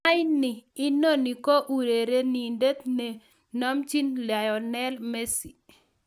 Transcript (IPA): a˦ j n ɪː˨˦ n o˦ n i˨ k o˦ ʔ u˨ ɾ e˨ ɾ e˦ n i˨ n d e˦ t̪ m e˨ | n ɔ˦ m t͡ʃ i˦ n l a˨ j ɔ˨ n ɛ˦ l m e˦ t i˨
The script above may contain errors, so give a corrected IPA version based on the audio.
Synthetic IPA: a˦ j n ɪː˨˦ n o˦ n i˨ k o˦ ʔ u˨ ɾ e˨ ɾ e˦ n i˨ n d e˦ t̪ n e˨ | n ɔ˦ m t͡ʃ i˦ n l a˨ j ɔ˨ n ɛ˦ l m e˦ s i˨